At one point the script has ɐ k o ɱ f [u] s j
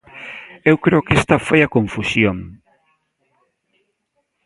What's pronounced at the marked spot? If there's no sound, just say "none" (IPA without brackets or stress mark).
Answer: u